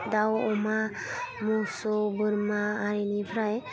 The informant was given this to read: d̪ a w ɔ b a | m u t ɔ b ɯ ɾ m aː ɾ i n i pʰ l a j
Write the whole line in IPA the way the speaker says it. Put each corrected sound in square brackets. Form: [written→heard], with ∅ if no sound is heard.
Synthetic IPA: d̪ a w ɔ [b→m] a | m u [t→s] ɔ b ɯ ɾ m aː ɾ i n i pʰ [l→ɾ] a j